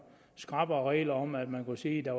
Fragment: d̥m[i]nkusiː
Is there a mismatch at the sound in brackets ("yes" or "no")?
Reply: yes